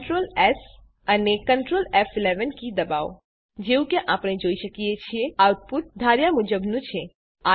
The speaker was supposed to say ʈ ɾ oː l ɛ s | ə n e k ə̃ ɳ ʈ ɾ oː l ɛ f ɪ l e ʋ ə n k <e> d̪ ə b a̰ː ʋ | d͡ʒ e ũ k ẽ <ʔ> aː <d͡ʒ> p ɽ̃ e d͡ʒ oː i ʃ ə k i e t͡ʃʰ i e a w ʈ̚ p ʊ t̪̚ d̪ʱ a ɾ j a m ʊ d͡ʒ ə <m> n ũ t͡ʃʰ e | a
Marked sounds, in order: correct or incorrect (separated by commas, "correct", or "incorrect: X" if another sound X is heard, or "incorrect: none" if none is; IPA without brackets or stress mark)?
incorrect: i, correct, incorrect: none, incorrect: b